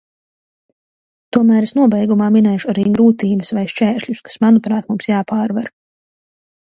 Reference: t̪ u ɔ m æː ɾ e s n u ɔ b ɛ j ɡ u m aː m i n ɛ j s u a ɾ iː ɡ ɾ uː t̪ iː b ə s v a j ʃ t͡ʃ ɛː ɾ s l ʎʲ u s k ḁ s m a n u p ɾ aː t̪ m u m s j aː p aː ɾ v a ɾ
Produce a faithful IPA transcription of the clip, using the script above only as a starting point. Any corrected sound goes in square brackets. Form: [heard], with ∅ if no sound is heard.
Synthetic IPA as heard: t̪ u ɔ m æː ɾ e s n u ɔ b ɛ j ɡ u m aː m i n ɛ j [ʃ] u a ɾ iː ɡ ɾ uː t̪ iː b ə s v a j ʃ t͡ʃ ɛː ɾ [ʃ] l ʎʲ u s k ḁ s m a n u p ɾ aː t̪ m u m s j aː p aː ɾ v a ɾ